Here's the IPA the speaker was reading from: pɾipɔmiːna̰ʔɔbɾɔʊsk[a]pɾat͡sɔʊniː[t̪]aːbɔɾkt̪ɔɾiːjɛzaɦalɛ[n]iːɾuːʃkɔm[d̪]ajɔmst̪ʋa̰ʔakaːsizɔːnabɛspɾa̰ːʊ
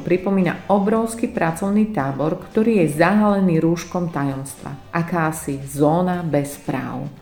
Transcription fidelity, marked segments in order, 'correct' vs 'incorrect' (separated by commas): incorrect, correct, correct, incorrect